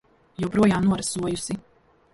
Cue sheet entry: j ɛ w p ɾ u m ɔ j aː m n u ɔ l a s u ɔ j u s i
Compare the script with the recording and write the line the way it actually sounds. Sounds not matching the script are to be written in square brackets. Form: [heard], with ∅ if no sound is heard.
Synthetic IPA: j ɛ w p ɾ u [∅] ɔ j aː m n u ɔ [ɾ] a s u ɔ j u s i